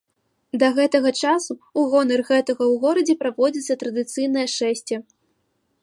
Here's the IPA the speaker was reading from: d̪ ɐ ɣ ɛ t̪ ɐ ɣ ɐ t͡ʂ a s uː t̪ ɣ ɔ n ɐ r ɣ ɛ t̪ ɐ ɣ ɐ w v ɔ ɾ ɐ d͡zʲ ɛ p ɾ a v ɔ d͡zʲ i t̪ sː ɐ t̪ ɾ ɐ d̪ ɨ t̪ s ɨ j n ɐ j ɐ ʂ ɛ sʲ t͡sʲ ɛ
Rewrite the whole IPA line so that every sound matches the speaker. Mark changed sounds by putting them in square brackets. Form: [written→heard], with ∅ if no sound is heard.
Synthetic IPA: d̪ ɐ ɣ ɛ t̪ ɐ ɣ ɐ t͡ʂ a s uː [t̪→∅] ɣ ɔ n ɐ r ɣ ɛ t̪ ɐ ɣ ɐ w [v→ɣ] ɔ ɾ ɐ d͡zʲ ɛ p ɾ a v ɔ d͡zʲ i t̪ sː ɐ t̪ ɾ ɐ d̪ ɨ t̪ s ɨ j n ɐ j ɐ ʂ ɛ sʲ t͡sʲ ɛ